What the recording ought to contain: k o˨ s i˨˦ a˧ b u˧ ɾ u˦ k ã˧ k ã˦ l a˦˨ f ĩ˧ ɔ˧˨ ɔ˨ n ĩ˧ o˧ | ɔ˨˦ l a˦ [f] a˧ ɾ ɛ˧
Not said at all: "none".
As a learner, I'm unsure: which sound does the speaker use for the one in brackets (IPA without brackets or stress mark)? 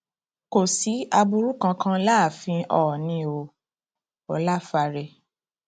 f